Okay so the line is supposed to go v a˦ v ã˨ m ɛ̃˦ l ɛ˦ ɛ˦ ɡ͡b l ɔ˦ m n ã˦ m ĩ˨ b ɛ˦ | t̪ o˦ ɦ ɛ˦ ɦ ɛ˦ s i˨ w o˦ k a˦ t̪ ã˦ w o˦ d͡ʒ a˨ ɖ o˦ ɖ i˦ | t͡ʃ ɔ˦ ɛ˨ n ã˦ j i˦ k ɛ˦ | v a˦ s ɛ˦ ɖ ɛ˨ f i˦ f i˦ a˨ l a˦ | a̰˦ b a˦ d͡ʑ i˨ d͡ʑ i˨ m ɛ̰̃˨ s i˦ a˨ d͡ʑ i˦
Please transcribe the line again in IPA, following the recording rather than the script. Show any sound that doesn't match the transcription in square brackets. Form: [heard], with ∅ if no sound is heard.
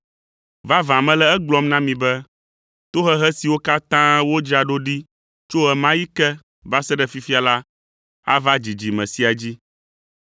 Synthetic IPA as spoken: v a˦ v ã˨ m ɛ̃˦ l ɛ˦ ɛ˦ ɡ͡b l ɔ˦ m n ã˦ m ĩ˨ b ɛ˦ | t̪ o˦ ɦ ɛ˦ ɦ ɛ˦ s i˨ w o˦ k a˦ t̪ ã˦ w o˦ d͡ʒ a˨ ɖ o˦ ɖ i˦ | t͡ʃ [o˦] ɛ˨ [m] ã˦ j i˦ k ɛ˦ | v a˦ s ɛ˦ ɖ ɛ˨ f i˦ f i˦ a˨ l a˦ | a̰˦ [v] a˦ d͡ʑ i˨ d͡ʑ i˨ m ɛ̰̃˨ s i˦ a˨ d͡ʑ i˦